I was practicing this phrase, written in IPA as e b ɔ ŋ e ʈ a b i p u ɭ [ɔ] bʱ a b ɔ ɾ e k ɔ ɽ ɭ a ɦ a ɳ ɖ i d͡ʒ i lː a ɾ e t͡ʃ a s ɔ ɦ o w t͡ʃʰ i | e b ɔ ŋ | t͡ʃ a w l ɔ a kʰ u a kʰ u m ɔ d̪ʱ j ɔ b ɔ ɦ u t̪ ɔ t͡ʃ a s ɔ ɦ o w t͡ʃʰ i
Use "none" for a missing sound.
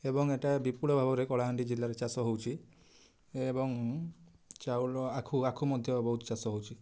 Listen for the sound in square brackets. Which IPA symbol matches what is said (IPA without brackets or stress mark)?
ɔ